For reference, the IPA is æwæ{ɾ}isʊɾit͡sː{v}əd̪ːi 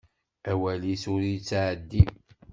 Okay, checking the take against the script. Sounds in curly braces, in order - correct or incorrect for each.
incorrect, incorrect

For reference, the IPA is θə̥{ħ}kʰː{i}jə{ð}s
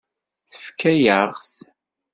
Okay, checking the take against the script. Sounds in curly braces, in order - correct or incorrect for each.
incorrect, incorrect, incorrect

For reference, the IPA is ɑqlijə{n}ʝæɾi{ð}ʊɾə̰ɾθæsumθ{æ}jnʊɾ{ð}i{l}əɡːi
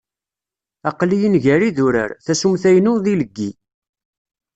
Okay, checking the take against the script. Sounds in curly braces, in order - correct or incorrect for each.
correct, correct, correct, correct, correct

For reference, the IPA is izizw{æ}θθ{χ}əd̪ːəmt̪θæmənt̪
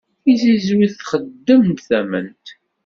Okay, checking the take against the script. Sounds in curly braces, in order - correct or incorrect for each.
incorrect, correct

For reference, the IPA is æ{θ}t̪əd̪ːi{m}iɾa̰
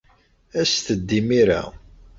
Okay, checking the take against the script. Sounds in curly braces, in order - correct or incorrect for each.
incorrect, correct

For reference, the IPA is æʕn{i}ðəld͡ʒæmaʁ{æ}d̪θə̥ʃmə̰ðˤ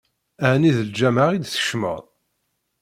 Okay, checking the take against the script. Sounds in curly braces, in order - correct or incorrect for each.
correct, incorrect

